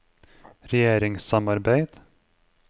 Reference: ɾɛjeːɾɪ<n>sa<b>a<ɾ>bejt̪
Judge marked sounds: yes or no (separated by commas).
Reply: no, no, yes